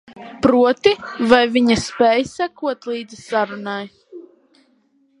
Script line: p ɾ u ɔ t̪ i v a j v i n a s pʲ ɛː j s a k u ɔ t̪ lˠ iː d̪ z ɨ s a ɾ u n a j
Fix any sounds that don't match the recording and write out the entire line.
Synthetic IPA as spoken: p ɾ u ɔ t̪ i v a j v i ɲ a s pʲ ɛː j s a k u ɔ t̪ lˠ iː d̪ z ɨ s a ɾ u n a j

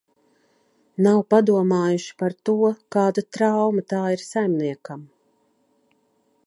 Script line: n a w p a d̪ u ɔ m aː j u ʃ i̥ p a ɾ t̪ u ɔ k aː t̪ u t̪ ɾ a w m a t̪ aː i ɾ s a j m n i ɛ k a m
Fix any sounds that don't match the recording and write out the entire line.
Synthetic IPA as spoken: n a w p a d̪ u ɔ m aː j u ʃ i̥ p a ɾ t̪ u ɔ k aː d̪ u t̪ ɾ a w m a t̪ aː i ɾ s a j m n i ɛ k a m

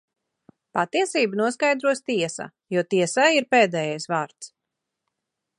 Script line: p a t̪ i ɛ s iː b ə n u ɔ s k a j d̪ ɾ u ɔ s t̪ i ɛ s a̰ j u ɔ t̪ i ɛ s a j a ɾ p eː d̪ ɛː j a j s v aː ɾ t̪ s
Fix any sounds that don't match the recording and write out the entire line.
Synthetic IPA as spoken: p a t̪ i ɛ s iː b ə n u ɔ s k a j d̪ ɾ u ɔ s t̪ i ɛ s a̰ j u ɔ t̪ i ɛ s a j i ɾ p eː d̪ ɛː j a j s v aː ɾ t̪ s

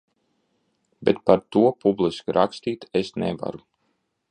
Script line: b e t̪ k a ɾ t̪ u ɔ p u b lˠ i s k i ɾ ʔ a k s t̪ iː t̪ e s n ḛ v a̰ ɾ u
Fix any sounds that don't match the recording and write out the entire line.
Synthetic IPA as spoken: b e t̪ p a ɾ t̪ u ɔ p u b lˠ i s k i ɾ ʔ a k s t̪ iː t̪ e s n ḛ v a̰ ɾ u

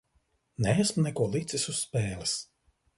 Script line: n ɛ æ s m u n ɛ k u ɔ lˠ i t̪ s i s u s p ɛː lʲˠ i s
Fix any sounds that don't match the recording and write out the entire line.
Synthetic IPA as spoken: n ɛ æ s m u n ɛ k u ɔ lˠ i t̪ s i s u s p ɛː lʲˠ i s

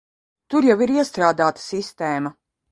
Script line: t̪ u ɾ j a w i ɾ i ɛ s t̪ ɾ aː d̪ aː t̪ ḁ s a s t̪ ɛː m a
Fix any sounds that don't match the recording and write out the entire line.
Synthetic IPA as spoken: t̪ u ɾ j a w i ɾ i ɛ s t̪ ɾ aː d̪ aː t̪ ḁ s i s t̪ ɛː m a

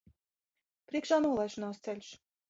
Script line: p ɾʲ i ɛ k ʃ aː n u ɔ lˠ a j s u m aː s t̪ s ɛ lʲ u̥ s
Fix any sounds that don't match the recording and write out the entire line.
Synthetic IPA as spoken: p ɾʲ i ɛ k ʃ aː n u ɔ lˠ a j ʃ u n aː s t̪ s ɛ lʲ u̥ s

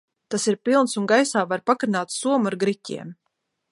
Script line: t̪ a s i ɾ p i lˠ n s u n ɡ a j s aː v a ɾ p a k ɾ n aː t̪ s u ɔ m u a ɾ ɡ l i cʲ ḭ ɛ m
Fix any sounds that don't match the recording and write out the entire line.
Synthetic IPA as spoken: t̪ a s i ɾ p i lˠ n s u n ɡ a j s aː v a ɾ p a k ɾ n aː t̪ s u ɔ m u a ɾ ɡ ɾ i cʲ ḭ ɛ m

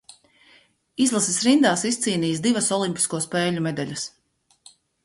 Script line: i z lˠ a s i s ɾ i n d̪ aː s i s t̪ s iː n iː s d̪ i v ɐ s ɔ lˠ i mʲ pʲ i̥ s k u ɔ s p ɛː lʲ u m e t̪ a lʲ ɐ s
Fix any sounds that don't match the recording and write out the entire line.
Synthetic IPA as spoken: i z lˠ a s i s ɾ i n d̪ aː s i s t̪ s iː n iː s d̪ i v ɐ s ɔ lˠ i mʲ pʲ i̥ s k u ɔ s p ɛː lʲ u m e d̪ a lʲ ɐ s

